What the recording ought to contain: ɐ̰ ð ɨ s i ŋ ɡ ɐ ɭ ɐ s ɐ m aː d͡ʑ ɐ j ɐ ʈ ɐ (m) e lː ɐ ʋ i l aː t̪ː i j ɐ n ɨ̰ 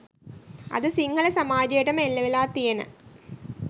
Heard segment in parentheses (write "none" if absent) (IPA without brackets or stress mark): m